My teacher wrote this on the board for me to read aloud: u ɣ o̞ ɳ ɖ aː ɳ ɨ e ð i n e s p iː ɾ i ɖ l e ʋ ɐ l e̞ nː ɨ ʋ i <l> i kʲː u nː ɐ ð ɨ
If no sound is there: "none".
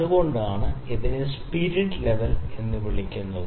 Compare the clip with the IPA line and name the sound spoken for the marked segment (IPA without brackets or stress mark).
ɭ